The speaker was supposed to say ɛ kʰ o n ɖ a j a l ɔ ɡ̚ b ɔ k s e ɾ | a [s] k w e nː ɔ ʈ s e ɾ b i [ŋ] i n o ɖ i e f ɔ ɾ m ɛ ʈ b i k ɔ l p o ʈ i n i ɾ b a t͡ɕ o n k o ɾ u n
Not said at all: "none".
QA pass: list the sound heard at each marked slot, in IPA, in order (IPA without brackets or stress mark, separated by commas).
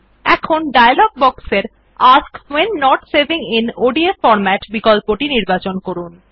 s, ŋ